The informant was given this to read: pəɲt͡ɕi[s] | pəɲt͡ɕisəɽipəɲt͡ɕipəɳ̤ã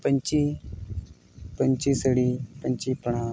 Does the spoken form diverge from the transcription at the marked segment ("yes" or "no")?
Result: yes